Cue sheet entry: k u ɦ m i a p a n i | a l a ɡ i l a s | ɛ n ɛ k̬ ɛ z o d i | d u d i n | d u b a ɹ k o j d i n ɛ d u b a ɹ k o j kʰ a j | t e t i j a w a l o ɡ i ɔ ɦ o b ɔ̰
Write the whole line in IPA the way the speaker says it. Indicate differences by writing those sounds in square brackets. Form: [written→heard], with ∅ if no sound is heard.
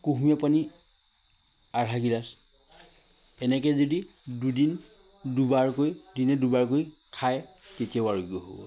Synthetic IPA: k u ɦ m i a p a n i | a [l→ɹ] a ɡ i l a s | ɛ n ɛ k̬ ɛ z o d i | d u d i n | d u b a ɹ k o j d i n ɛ d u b a ɹ k o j kʰ a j | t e t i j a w a [l→ɹ] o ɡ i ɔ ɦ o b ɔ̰